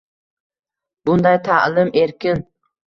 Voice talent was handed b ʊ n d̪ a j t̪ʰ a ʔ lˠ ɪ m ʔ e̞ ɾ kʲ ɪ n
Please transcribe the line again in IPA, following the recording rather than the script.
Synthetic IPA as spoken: b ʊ n d̪ a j t̪ʰ a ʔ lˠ ɪ m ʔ e̞ ɾ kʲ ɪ n